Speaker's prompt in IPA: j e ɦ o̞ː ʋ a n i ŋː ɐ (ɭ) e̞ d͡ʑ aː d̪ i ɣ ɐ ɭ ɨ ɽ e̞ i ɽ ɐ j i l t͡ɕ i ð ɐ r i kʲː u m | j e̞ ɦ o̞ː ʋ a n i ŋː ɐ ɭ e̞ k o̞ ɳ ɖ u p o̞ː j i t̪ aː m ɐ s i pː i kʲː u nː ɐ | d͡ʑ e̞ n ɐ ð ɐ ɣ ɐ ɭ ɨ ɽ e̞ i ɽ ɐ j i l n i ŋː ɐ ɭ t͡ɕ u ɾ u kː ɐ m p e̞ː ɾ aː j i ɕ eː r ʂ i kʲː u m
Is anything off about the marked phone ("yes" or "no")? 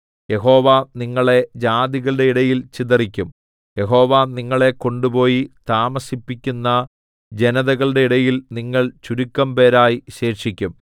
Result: no